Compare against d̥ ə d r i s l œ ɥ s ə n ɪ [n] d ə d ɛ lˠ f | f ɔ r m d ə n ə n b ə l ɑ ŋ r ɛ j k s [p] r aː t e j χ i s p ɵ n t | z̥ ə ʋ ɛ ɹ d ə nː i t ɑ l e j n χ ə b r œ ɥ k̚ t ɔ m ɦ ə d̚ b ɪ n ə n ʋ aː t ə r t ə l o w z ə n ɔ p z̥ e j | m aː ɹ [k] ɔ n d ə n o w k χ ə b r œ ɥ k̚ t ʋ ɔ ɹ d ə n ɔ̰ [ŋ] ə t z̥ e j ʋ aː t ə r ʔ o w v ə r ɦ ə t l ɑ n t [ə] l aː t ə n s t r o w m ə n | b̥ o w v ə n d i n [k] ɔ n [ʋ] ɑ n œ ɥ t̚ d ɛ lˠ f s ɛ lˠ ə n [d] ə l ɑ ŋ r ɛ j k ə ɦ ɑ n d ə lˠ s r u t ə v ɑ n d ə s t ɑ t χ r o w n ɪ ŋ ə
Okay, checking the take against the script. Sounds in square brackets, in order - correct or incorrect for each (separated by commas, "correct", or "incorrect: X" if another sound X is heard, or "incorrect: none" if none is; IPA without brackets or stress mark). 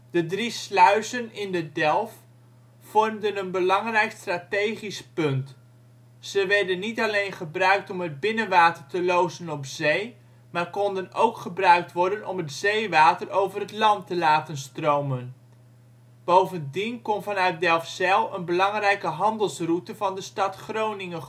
correct, incorrect: t, correct, incorrect: m, correct, correct, incorrect: v, incorrect: b